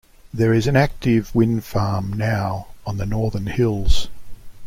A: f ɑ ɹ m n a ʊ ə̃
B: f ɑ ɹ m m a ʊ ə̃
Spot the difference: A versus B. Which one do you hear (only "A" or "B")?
A